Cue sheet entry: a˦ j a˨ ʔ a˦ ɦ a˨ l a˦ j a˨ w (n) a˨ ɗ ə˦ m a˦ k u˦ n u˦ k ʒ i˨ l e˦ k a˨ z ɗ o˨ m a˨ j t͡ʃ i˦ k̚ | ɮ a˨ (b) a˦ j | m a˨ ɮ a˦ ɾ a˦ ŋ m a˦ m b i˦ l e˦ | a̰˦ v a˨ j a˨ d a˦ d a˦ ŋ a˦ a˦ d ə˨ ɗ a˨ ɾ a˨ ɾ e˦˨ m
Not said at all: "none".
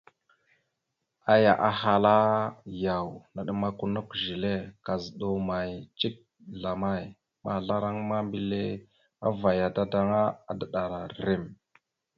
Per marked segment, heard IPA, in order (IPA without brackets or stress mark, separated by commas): n, m